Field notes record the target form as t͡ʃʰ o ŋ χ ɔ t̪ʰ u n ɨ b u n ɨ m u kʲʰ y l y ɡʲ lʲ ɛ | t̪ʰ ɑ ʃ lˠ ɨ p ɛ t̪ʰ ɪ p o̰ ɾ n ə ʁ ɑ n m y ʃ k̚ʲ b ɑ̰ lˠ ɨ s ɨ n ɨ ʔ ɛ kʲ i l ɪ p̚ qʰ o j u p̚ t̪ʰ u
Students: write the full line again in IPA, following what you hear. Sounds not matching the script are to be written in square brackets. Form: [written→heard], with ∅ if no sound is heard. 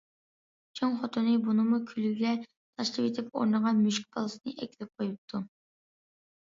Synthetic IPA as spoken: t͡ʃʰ o ŋ χ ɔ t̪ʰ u n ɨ b u n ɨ m u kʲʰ y l y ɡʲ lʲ ɛ | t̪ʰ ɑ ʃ lˠ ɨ p [ɛ→e] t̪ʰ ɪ p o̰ ɾ n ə ʁ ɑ n m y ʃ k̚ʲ b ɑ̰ lˠ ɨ s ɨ n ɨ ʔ ɛ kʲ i l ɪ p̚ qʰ o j u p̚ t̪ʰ u